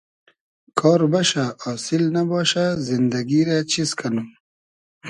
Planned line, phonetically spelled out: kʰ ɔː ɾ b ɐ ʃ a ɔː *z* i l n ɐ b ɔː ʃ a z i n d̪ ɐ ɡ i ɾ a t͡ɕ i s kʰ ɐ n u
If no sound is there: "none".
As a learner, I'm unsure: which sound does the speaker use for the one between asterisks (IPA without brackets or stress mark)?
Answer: s